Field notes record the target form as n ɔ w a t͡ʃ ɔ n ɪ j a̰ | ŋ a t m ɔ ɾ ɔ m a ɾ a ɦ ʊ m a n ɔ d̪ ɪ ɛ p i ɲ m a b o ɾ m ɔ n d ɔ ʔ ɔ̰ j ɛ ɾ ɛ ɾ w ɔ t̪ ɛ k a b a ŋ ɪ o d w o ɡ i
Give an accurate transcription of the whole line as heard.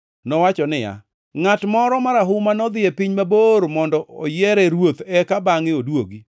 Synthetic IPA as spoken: n ɔ w a t͡ʃ ɔ n ɪ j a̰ | ŋ a t m ɔ ɾ ɔ m a ɾ a ɦ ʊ m a n ɔ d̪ ɪ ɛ p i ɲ m a b o ɾ m ɔ n d ɔ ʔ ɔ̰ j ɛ ɾ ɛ ɾ w o t̪ ɛ k a b a ŋ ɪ o d w o ɡ i

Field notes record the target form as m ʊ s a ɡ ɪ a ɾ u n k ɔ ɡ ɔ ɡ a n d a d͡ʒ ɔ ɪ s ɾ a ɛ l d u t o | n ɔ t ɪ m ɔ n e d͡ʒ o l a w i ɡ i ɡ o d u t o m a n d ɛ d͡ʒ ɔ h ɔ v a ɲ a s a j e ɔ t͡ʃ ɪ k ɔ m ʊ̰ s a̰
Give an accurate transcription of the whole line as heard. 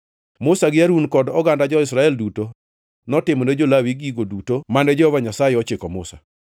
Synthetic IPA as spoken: m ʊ s a ɡ ɪ a ɾ u n k ɔ d ɔ ɡ a n d a d͡ʒ ɔ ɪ s ɾ a ɛ l d u t o | n ɔ t ɪ m ɔ n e d͡ʒ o l a w i ɡ i ɡ o d u t o m a n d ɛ d͡ʒ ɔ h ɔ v a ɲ a s a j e ɔ t͡ʃ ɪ k ɔ m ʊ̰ s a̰

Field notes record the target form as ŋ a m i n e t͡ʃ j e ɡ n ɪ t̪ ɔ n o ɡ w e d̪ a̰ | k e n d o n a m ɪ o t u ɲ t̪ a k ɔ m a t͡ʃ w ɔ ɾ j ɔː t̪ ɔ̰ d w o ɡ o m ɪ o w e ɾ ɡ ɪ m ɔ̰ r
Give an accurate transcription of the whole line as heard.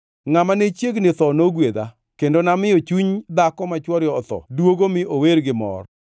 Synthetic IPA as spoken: ŋ a m a n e t͡ʃ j e ɡ n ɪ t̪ ɔ n o ɡ w e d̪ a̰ | k e n d o n a m ɪ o t͡ʃ u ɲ d̪ a k ɔ m a t͡ʃ w ɔ ɾ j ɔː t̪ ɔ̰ d w o ɡ o m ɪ o w e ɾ ɡ ɪ m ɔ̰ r

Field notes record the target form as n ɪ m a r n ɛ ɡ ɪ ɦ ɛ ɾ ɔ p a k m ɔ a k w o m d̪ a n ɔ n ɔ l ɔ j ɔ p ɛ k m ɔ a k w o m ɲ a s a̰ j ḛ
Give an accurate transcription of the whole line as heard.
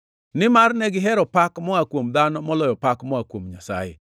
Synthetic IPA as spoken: n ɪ m a r n ɛ ɡ ɪ ɦ ɛ ɾ ɔ p a k m ɔ a k w o m d̪ a n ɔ m ɔ l ɔ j ɔ p a k m ɔ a k w o m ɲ a s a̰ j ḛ

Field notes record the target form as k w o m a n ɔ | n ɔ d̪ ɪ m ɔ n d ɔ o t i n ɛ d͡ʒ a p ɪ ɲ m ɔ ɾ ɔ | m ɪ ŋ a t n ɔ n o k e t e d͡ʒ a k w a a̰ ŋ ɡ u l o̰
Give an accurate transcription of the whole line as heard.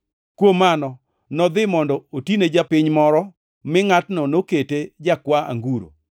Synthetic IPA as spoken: k w o m a n ɔ | n ɔ d̪ ɪ m ɔ n d ɔ o t i n e d͡ʒ a p ɪ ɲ m ɔ ɾ ɔ | m ɪ ŋ a t n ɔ n o k e t e d͡ʒ a k w a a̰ ŋ ɡ u ɾ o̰

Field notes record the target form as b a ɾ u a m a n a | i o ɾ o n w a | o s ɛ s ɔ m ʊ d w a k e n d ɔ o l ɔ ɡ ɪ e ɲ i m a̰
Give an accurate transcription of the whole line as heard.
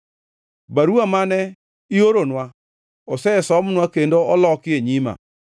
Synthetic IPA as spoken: b a ɾ u a m a n ɛ | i o ɾ o n w a | o s ɛ s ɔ m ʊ n w a k e n d o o l ɔ k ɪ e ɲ i m a̰

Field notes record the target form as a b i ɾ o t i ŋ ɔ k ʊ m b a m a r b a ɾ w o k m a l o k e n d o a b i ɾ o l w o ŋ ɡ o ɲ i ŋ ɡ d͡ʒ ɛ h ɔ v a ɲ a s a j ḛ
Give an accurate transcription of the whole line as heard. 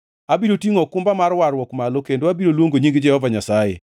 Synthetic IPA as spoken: a b i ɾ o t i ŋ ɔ k ʊ m b a m a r w a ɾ w ɔ k m a l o k e n d o a b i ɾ o l w o ŋ ɡ o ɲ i ŋ ɡ d͡ʒ ɛ h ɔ v a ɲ a s a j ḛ

